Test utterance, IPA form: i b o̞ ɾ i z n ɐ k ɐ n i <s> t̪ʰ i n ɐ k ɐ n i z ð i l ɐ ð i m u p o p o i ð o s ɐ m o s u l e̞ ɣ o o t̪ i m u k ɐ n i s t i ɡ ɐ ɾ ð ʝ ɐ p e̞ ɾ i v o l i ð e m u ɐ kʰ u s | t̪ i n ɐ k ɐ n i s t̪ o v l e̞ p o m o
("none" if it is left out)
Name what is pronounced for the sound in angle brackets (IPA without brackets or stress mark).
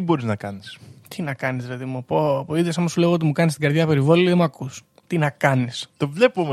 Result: s